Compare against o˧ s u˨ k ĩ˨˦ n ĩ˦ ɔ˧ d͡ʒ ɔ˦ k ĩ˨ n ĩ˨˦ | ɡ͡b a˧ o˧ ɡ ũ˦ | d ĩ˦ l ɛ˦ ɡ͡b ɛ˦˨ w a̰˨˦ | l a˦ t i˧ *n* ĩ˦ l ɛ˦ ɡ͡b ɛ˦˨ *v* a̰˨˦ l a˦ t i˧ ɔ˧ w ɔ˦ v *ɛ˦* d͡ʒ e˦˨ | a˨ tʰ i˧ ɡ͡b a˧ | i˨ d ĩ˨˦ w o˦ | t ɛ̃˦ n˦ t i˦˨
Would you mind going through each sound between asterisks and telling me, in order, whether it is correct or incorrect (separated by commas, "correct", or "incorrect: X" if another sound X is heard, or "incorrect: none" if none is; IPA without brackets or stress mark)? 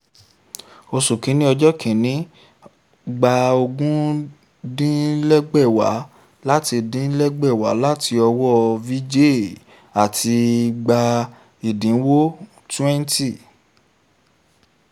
incorrect: d, incorrect: w, incorrect: i˦